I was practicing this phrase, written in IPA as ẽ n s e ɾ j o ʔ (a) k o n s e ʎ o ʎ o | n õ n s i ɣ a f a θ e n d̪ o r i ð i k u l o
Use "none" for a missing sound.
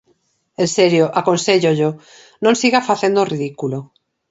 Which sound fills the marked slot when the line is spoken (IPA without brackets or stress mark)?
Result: a